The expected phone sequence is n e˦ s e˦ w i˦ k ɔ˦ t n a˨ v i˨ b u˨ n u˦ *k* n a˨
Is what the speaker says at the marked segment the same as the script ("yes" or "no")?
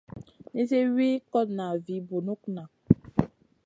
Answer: yes